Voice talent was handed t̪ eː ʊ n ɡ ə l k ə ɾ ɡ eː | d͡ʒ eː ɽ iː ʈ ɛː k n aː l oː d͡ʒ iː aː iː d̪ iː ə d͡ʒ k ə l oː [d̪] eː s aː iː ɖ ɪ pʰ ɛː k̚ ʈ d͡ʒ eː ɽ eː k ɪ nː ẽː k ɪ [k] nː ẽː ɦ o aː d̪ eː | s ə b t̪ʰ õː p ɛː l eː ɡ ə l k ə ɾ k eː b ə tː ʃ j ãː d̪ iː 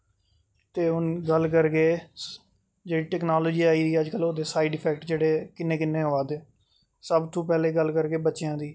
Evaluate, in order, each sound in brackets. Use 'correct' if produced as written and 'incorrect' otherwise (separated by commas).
correct, incorrect